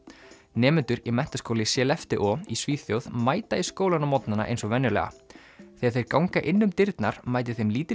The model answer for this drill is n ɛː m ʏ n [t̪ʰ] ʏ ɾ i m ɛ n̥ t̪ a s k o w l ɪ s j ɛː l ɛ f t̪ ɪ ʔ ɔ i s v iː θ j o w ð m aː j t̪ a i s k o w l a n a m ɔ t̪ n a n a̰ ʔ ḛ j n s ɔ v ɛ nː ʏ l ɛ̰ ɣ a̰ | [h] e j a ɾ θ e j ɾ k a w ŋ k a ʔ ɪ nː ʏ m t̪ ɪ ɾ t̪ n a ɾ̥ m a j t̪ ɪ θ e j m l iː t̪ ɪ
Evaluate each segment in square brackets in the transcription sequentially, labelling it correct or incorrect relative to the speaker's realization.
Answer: incorrect: t̪, incorrect: θ

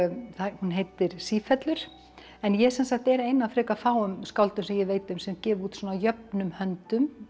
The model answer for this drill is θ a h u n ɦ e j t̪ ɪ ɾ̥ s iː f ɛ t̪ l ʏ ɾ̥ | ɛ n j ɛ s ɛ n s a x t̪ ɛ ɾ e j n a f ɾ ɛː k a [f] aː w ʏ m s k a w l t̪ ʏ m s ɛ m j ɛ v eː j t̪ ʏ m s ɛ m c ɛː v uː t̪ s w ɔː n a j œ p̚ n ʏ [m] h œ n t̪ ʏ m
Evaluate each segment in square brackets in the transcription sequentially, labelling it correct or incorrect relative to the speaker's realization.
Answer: correct, correct

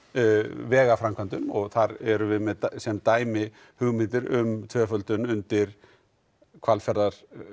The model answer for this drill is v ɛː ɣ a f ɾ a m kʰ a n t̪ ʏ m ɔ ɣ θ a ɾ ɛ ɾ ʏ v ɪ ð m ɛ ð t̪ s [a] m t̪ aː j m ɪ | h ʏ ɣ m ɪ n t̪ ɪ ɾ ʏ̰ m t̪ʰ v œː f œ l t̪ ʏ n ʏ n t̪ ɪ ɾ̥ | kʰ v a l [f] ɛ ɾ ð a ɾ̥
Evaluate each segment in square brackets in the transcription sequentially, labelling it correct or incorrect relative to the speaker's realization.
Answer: incorrect: ɛ, correct

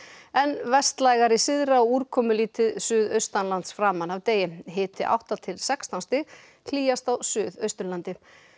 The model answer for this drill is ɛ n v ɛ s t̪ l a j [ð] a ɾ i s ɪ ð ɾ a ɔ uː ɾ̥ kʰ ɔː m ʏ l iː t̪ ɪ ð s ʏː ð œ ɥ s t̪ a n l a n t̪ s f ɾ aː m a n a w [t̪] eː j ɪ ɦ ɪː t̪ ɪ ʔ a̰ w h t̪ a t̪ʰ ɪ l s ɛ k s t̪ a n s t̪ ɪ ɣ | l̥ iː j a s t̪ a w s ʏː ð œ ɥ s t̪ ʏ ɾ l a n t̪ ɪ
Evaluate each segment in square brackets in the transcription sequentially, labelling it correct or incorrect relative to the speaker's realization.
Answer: incorrect: ɣ, correct

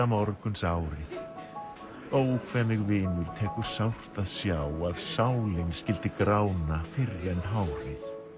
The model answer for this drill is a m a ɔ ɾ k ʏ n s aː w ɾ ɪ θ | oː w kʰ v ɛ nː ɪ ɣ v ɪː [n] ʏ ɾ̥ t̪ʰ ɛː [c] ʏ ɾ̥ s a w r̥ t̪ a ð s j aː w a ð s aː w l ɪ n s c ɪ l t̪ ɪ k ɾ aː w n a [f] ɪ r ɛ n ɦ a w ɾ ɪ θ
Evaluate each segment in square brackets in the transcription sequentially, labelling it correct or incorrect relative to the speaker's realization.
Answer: correct, incorrect: k, correct

